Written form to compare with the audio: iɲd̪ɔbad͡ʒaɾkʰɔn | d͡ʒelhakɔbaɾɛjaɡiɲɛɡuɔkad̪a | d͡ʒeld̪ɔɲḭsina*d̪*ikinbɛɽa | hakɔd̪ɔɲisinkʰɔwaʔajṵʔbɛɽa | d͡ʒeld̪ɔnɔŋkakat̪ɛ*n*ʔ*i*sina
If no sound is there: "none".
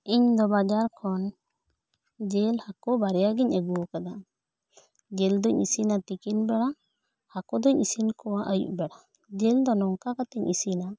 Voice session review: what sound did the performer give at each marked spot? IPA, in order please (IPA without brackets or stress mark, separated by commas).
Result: t̪, ɲ, i